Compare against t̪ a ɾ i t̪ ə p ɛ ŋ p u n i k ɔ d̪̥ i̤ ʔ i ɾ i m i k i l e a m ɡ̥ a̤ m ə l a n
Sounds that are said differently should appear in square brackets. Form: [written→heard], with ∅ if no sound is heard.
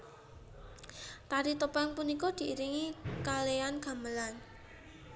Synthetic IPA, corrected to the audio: t̪ a ɾ i t̪ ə p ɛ ŋ p u n i k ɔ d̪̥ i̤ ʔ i ɾ i [m→ŋ] i k [i→a] l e a [m→n] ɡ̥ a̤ m ə l a n